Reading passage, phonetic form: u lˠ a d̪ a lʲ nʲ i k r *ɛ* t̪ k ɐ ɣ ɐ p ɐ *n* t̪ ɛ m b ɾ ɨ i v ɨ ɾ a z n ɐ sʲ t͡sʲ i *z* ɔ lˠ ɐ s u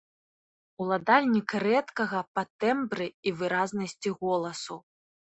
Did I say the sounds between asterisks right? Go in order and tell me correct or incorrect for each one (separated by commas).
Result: correct, incorrect, incorrect